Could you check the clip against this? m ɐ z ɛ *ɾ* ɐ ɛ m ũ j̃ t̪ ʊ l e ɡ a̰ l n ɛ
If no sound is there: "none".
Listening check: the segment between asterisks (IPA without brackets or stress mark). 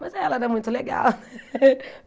l